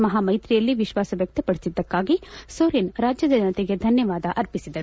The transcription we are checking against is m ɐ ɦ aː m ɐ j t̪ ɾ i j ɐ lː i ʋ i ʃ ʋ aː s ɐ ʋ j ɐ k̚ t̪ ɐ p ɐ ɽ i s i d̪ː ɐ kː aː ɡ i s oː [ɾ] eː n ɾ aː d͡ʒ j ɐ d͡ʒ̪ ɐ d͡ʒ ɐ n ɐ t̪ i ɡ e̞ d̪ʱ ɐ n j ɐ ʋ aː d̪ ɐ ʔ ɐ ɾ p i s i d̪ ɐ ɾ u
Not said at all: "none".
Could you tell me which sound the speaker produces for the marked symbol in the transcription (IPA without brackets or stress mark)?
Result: ɾ